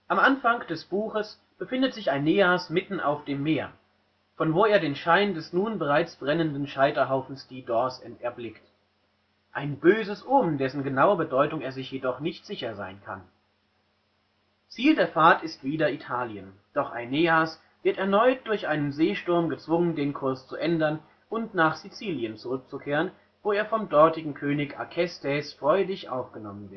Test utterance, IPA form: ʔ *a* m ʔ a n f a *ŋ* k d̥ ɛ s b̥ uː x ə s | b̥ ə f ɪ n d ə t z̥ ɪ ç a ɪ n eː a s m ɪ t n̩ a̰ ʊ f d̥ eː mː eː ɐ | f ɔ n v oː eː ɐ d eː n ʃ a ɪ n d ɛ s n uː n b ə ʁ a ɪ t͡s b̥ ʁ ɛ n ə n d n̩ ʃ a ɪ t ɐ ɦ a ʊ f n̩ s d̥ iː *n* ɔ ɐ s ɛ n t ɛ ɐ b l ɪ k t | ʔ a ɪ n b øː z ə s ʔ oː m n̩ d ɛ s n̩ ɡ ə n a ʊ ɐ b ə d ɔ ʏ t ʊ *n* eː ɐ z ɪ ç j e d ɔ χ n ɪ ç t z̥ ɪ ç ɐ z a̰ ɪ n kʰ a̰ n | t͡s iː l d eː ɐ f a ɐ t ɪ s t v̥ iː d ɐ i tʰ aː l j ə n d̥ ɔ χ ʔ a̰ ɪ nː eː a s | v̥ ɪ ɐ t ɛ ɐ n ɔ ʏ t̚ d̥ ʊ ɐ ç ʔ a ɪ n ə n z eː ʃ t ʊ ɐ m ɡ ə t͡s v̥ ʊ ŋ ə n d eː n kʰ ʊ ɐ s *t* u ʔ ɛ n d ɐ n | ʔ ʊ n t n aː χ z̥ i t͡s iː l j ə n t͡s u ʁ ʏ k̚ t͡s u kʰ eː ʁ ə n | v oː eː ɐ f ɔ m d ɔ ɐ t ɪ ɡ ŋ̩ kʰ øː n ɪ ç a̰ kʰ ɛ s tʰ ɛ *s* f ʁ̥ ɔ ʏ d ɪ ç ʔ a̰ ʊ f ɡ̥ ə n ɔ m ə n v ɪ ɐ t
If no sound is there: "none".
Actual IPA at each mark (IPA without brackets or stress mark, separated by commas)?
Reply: a, ŋ, d, ŋ, t͡s, s